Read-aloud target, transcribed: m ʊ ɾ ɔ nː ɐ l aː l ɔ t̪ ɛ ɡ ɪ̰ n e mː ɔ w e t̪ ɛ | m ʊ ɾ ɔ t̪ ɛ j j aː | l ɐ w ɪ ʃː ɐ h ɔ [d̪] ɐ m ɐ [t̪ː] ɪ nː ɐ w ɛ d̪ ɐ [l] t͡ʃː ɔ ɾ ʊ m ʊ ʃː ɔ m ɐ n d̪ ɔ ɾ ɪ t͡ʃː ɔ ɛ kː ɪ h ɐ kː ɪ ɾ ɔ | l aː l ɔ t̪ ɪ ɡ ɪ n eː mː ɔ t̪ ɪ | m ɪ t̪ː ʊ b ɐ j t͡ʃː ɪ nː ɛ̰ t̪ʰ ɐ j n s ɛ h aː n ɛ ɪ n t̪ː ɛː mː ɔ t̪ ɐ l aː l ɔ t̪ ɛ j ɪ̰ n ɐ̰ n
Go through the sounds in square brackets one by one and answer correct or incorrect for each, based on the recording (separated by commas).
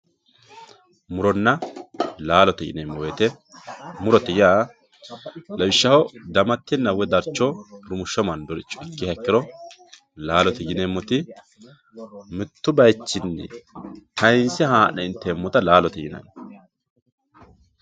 correct, correct, incorrect